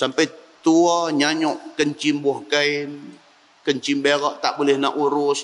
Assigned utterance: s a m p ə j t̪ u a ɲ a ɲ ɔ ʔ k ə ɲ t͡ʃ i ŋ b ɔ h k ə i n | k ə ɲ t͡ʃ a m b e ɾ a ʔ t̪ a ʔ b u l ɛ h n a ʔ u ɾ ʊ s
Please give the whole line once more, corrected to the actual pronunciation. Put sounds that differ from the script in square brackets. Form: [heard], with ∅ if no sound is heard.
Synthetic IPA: s a m p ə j t̪ u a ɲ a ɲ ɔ ʔ k ə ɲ t͡ʃ i [m] b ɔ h k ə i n | k ə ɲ t͡ʃ [i] m b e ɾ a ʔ t̪ a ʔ b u l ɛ h n a ʔ u ɾ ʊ s